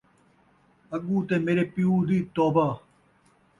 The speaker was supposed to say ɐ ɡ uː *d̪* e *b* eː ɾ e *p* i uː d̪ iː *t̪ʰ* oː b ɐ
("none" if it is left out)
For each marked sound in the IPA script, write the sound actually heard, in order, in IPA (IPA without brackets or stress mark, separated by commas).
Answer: t̪, m, p, t̪